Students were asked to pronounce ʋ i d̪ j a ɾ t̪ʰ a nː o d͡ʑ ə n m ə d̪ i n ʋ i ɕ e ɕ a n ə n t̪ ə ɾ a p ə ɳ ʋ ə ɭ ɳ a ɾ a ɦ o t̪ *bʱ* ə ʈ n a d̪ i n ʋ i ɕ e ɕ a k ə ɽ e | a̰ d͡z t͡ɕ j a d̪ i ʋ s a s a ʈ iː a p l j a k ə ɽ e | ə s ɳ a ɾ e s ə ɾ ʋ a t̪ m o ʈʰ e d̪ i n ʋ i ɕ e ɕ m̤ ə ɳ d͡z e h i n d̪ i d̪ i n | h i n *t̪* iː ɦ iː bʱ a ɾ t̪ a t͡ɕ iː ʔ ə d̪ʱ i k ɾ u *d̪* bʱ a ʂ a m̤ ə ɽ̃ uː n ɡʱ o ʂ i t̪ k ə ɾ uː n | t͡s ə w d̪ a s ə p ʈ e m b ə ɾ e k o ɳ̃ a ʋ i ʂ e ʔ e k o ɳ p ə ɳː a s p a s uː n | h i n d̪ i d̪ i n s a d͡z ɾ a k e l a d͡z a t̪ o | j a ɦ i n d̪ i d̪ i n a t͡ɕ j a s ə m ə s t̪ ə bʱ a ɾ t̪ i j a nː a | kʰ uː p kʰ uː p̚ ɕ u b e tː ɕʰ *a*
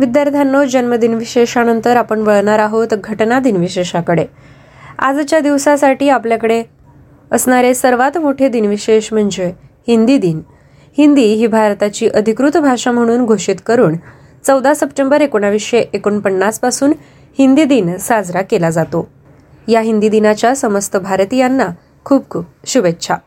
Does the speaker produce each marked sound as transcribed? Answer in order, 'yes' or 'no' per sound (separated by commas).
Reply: no, no, no, yes